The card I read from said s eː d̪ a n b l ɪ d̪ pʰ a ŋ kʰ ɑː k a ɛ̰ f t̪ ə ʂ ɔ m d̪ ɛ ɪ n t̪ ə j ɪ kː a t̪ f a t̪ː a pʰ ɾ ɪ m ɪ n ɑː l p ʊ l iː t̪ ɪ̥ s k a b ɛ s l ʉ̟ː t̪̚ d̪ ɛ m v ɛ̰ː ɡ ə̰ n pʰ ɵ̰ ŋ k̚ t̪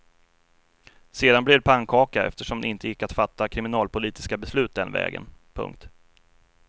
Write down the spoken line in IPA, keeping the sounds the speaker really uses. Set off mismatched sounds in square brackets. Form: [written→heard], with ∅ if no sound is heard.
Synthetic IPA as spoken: s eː d̪ a n b l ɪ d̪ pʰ a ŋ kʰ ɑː k a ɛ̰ f t̪ ə ʂ ɔ m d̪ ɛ ɪ n t̪ ə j ɪ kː a t̪ f a t̪ː a [pʰ→kʰ] ɾ ɪ m ɪ n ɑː l p ʊ l iː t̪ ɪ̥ s k a b ɛ s l ʉ̟ː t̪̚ d̪ ɛ [m→n] v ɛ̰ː ɡ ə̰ n pʰ ɵ̰ ŋ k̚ t̪